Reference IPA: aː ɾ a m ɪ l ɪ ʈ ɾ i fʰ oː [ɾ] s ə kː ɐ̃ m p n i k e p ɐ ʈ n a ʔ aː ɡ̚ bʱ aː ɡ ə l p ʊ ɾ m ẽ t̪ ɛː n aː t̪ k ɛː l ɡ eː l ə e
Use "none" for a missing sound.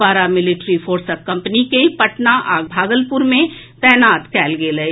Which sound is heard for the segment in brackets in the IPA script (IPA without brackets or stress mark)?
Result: ɾ